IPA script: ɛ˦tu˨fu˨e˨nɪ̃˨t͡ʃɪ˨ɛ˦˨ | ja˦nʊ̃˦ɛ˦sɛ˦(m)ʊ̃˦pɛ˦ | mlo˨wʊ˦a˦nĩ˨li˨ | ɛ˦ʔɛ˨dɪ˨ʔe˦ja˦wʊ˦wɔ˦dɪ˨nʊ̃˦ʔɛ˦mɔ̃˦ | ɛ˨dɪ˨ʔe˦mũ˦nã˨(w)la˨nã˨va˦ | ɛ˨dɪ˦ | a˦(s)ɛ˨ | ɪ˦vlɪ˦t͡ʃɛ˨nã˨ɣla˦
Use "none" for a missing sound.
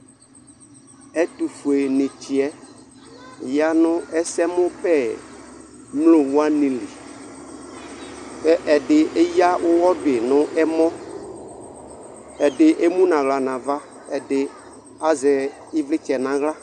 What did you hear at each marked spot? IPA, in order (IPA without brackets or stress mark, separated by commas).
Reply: m, ɣ, z